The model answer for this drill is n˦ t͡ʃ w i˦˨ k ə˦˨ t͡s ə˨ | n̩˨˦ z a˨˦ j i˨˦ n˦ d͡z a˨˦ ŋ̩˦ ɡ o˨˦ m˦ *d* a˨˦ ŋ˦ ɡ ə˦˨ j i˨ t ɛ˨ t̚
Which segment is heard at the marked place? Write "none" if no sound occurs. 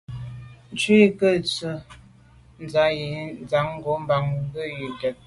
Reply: b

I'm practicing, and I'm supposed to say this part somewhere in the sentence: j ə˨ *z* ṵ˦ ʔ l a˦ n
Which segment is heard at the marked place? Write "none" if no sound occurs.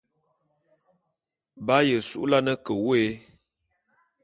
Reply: s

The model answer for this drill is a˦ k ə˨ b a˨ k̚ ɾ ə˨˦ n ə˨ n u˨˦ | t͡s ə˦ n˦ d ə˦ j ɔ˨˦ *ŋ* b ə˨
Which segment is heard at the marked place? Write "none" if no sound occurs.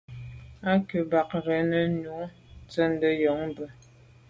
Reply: ŋ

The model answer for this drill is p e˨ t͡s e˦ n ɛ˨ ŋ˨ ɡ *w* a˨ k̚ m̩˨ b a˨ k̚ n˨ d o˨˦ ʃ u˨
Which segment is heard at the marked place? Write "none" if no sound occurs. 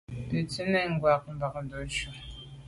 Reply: w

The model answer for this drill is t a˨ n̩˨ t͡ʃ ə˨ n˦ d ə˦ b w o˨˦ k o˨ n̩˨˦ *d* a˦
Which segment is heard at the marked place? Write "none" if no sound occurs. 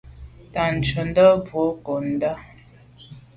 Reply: d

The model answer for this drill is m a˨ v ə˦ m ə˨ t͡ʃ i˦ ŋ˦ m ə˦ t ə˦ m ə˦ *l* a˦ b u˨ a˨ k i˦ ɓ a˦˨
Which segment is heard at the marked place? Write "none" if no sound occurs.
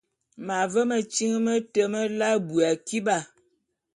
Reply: l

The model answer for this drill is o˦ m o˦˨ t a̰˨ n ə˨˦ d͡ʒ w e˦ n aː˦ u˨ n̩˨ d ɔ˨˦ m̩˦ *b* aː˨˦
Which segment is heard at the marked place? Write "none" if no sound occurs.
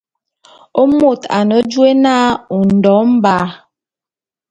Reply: b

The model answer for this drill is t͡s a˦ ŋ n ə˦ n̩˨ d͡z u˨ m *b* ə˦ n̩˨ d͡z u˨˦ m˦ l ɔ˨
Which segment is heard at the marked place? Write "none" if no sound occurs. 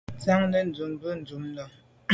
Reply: b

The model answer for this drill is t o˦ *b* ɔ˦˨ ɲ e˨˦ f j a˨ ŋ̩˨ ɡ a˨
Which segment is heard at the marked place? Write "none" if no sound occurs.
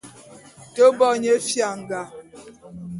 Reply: b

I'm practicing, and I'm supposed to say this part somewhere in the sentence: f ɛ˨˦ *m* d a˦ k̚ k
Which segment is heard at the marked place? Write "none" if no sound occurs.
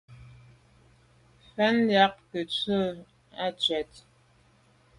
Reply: n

